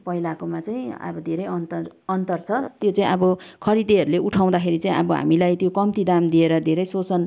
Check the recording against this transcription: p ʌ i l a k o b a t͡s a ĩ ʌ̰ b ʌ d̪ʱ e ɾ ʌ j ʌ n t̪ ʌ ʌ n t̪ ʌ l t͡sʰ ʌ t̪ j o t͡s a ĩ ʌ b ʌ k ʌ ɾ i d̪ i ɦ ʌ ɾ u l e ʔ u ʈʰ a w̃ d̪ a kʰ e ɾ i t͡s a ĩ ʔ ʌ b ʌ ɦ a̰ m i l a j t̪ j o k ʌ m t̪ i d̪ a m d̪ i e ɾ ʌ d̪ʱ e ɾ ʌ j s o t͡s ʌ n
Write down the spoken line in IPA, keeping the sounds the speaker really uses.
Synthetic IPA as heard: p ʌ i l a k o m a t͡s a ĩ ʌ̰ b ʌ d̪ʱ e ɾ ʌ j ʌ n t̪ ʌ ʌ n t̪ ʌ r t͡sʰ ʌ t̪ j o t͡s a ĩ ʌ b ʌ kʰ ʌ ɾ i d̪ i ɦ ʌ ɾ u l e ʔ u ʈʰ a w̃ d̪ a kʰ e ɾ i t͡s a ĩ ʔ ʌ b ʌ ɦ a̰ m i l a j t̪ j o k ʌ m t̪ i d̪ a m d̪ i e ɾ ʌ d̪ʱ e ɾ ʌ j s o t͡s ʌ n